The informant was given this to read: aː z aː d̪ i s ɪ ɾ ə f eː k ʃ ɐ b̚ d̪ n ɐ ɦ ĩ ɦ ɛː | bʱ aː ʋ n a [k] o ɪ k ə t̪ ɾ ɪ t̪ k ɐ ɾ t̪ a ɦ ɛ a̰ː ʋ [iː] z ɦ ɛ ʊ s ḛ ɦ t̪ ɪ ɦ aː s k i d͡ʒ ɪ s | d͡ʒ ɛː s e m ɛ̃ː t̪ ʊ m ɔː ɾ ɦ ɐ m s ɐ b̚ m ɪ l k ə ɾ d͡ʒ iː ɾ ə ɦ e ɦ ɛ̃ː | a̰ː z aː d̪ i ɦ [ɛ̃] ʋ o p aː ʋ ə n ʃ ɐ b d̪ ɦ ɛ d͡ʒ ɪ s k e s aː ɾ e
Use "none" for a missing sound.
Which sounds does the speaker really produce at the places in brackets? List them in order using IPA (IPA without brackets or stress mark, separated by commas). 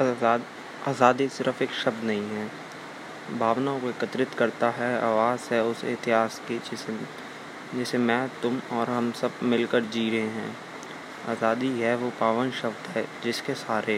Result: k, aː, ɛ